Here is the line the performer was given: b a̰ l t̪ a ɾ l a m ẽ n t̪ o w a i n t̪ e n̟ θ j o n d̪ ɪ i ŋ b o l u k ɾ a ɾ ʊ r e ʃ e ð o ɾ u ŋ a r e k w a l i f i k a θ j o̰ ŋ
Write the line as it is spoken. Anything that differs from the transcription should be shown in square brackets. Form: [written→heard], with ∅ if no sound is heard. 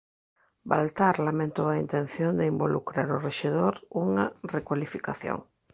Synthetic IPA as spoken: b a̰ l t̪ a ɾ l a m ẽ n t̪ o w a i n t̪ e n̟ θ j o n d̪ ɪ i [ŋ→m] b o l u k ɾ a ɾ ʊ r e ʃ e ð o ɾ u ŋ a r e k w a l i f i k a θ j o̰ ŋ